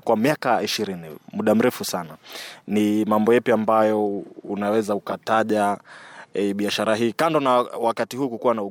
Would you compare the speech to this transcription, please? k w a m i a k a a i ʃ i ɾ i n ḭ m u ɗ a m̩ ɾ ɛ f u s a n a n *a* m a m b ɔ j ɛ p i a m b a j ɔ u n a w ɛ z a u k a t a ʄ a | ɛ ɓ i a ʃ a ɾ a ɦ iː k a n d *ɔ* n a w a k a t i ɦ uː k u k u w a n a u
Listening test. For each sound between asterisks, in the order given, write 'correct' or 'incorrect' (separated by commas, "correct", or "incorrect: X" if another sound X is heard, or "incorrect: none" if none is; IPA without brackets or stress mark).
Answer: incorrect: i, correct